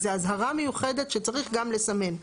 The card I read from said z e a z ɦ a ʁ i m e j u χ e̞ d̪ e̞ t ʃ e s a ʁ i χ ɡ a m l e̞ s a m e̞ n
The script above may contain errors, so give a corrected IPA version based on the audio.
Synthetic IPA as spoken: z e a z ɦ a ʁ a m e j u χ e̞ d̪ e̞ t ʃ e t͡s a ʁ i χ ɡ a m l e̞ s a m e̞ n